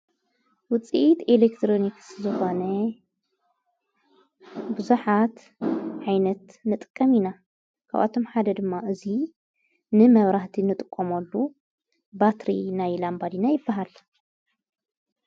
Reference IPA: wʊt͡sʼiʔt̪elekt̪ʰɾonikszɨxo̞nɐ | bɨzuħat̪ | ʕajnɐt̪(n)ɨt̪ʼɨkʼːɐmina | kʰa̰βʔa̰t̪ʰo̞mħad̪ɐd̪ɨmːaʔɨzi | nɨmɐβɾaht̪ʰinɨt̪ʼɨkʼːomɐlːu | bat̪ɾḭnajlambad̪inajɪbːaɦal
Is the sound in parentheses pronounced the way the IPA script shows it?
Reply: yes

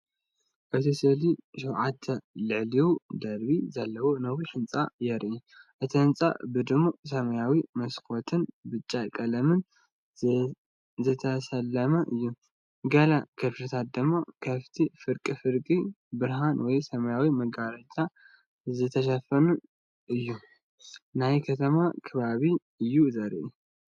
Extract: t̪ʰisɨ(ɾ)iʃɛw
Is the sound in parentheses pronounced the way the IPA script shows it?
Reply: no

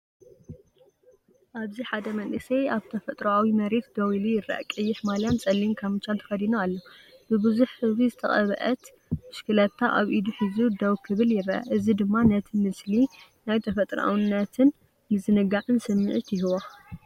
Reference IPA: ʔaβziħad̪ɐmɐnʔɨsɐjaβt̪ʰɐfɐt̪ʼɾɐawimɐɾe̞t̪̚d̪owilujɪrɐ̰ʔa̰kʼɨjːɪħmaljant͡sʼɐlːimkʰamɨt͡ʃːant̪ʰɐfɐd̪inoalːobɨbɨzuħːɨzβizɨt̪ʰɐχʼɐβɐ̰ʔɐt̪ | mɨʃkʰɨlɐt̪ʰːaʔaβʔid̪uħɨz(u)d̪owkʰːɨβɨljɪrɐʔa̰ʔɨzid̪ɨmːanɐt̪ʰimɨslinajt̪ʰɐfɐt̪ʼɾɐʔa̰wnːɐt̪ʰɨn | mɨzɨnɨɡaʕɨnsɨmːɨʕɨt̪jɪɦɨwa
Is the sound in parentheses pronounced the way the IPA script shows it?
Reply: yes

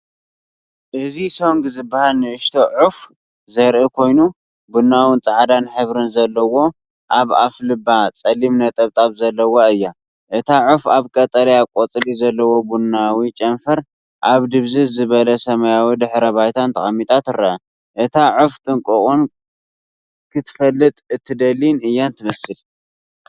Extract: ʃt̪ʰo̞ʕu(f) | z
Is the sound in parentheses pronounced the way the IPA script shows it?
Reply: yes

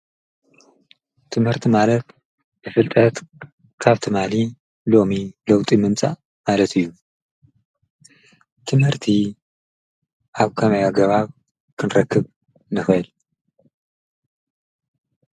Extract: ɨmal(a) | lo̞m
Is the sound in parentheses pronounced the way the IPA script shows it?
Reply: no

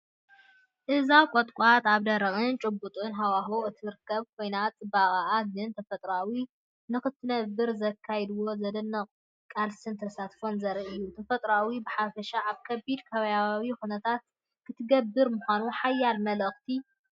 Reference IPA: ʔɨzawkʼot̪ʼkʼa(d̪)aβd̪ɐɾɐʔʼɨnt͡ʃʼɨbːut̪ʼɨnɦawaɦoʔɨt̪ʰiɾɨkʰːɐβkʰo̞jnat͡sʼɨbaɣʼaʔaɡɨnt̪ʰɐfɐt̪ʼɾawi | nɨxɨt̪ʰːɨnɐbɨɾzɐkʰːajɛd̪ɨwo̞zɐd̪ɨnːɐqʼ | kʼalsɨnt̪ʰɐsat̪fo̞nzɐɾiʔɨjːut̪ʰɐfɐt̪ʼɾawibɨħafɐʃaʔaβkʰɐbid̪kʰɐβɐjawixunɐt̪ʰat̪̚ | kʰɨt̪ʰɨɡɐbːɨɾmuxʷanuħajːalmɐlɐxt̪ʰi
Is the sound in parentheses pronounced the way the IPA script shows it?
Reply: no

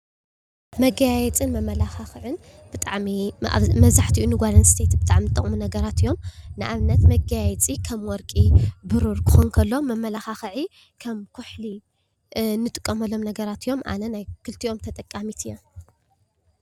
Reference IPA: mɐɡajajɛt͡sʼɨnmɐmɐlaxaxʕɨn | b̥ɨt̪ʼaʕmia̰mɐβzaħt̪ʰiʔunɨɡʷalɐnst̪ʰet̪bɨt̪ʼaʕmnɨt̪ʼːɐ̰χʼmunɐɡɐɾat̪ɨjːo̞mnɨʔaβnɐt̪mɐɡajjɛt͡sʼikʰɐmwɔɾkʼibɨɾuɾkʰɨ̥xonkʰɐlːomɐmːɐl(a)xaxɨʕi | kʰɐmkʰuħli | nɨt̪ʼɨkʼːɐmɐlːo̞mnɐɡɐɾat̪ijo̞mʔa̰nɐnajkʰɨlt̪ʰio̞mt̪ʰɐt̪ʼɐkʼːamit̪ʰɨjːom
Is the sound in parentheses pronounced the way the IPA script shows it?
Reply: yes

